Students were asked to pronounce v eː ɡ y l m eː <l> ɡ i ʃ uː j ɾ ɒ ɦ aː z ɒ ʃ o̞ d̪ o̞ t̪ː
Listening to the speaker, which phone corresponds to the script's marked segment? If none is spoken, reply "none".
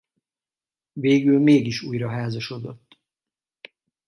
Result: none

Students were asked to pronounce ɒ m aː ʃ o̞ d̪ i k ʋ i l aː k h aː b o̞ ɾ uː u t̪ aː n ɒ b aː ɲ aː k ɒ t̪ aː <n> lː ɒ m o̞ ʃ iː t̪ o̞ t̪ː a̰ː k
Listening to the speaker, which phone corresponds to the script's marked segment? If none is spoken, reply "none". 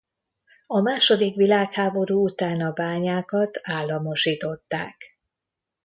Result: none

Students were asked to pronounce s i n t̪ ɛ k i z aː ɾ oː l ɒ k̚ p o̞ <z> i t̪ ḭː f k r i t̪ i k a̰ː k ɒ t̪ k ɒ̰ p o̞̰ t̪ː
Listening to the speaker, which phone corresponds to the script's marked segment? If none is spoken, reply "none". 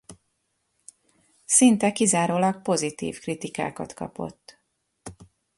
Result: z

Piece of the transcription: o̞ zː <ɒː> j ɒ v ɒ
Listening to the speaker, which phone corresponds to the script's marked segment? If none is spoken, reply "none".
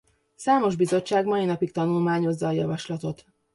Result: ɒː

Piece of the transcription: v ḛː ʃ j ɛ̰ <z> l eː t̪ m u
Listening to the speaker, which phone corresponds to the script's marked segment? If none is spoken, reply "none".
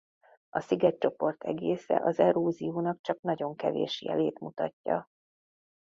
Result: none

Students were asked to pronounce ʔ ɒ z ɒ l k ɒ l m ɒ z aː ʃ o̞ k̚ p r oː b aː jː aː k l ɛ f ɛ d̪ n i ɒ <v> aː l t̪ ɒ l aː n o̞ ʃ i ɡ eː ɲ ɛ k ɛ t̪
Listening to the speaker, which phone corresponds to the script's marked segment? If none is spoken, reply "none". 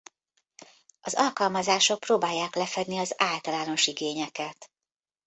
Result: z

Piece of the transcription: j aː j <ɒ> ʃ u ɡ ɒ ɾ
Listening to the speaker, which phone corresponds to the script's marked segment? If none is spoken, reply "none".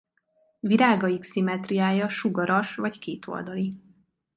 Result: ɒ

